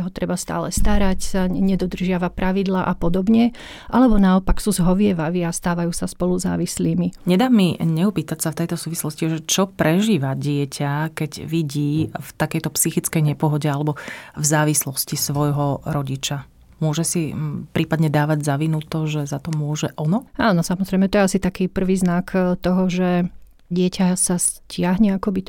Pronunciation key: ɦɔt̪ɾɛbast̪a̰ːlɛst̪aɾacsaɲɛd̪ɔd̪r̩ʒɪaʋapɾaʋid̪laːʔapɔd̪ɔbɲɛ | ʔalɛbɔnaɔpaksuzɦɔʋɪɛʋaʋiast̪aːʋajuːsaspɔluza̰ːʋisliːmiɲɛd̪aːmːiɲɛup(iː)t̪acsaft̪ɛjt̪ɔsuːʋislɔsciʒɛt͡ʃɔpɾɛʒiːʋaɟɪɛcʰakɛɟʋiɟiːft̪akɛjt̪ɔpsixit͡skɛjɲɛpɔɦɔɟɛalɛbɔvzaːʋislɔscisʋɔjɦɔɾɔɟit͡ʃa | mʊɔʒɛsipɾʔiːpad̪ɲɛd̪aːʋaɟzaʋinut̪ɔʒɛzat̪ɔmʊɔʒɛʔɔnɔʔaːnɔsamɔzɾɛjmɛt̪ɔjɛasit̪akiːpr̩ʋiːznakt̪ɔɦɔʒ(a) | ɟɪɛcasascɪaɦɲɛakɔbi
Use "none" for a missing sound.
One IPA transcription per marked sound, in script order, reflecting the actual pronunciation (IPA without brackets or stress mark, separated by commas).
iː, ɛ